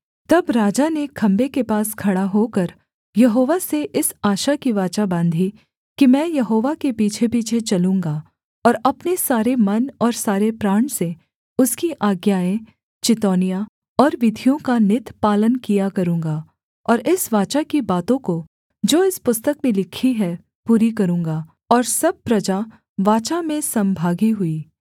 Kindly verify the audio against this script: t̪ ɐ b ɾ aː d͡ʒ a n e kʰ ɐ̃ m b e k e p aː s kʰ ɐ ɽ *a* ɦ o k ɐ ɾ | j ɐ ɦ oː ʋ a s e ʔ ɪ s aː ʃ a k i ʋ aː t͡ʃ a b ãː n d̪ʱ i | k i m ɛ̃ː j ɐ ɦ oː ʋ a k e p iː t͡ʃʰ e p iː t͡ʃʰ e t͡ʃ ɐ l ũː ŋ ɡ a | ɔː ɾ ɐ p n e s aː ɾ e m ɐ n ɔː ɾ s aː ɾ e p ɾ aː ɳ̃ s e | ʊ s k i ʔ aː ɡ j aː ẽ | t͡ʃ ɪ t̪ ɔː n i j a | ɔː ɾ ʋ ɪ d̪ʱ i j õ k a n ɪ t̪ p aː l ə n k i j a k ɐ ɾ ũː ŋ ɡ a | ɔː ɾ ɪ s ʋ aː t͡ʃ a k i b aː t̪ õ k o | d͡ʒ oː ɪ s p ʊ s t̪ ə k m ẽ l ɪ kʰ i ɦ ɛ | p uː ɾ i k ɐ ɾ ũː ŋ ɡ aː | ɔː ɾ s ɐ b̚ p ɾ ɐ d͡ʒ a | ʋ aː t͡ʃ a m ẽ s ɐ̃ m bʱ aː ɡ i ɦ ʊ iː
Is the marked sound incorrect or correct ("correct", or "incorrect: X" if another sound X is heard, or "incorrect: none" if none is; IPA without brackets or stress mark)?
correct